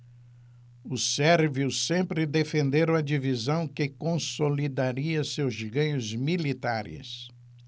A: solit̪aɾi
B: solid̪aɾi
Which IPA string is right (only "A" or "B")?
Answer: B